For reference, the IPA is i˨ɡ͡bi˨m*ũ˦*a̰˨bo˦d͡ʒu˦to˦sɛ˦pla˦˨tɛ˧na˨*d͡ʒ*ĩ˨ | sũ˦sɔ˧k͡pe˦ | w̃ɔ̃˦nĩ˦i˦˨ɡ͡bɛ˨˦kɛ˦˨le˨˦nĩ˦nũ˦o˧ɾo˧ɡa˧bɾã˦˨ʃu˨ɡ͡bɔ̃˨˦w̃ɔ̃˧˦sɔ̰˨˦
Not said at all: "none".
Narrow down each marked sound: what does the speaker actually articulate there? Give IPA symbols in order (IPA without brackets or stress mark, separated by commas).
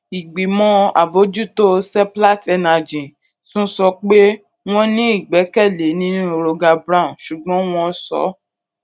ɔ̃˦, d͡ʒ